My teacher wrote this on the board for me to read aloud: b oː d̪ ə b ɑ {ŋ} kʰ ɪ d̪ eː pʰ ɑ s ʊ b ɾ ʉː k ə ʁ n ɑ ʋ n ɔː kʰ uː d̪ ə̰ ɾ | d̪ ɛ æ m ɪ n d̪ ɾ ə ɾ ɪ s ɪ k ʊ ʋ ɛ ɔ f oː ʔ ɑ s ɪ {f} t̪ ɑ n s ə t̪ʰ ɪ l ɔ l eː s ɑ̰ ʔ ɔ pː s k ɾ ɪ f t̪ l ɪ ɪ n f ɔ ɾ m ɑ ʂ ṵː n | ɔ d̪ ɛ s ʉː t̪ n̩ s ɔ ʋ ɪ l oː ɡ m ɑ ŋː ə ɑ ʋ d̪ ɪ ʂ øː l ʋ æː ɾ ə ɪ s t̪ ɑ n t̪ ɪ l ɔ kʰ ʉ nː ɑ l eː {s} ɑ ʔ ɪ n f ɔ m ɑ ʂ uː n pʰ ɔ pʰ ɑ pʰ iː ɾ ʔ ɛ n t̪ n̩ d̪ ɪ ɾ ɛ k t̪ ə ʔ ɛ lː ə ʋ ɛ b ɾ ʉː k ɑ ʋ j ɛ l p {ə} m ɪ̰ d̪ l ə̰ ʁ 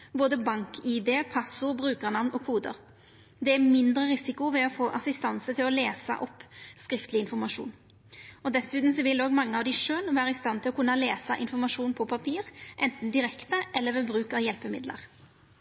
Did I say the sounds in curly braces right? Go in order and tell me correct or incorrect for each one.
correct, incorrect: s, correct, correct

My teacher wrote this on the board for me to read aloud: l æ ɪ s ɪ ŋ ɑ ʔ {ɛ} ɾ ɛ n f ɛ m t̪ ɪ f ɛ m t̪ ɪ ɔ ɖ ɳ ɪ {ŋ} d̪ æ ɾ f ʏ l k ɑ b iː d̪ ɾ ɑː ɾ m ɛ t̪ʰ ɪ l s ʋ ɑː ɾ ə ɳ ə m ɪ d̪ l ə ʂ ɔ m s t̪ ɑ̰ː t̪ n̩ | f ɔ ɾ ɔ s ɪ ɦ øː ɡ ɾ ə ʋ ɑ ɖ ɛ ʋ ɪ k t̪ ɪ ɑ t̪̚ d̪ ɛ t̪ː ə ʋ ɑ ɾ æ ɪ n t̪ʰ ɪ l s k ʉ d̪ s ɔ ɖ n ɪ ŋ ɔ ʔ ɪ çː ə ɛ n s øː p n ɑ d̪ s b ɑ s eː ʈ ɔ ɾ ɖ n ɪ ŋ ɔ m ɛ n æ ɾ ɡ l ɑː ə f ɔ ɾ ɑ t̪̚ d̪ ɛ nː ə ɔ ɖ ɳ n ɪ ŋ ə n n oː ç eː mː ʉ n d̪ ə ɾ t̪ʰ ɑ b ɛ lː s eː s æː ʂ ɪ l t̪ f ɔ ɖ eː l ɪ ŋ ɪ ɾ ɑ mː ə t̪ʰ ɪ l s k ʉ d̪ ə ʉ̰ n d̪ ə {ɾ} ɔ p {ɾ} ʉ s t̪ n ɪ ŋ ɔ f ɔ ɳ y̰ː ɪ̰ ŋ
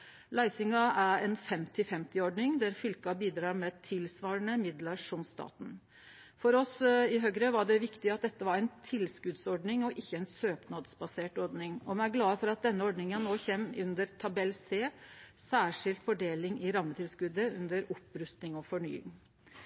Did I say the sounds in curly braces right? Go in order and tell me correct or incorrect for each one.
incorrect: æ, correct, correct, correct

